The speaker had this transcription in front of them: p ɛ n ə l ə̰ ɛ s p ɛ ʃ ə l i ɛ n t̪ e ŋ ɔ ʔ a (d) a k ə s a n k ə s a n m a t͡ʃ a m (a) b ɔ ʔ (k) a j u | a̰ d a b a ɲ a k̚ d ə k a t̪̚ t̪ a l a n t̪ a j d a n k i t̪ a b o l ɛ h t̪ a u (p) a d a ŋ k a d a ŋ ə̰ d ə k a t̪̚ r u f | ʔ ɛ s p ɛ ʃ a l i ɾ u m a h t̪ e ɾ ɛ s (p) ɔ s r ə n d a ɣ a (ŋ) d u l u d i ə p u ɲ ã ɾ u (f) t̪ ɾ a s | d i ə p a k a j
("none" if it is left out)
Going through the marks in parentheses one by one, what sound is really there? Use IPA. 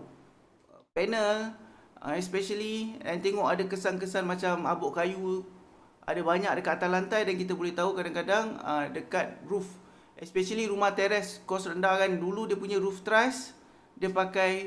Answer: d, a, k, k, k, n, f

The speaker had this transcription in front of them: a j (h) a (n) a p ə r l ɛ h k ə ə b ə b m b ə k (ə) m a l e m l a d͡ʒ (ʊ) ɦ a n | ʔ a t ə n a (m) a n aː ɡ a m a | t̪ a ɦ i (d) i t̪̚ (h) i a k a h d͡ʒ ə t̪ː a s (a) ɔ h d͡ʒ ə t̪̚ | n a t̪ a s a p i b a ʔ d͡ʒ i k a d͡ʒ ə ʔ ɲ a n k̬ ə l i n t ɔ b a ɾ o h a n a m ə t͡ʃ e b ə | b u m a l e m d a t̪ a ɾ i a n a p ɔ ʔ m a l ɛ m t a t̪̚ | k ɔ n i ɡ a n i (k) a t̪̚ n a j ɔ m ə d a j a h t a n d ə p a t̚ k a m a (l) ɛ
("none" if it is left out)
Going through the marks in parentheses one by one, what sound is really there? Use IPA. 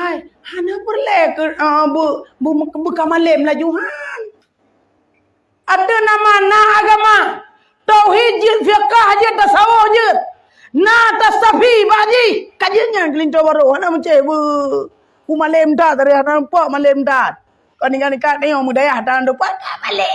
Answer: h, n, a, u, m, d͡ʒ, f, a, k, l

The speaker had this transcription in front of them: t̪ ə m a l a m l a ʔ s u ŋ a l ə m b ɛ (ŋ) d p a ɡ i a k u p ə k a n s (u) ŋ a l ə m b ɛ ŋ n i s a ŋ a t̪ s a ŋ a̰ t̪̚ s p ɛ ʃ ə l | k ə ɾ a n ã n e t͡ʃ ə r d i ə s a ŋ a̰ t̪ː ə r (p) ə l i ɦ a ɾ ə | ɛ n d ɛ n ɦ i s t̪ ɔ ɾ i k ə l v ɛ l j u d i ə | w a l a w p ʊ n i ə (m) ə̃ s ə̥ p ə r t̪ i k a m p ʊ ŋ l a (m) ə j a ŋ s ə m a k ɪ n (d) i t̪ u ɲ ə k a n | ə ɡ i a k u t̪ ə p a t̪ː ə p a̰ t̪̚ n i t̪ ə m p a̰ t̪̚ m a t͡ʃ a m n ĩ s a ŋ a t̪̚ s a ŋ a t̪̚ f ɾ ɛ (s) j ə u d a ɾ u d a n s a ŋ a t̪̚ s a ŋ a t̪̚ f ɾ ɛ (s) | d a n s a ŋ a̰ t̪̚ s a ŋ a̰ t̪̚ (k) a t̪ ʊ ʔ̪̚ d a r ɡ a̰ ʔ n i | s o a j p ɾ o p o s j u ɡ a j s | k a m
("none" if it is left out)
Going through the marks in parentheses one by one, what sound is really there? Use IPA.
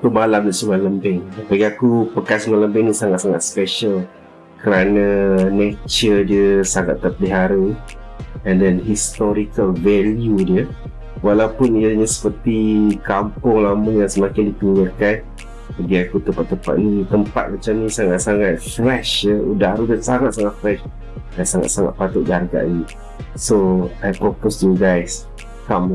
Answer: ŋ, u, p, ɲ, m, d, ʃ, ʃ, p

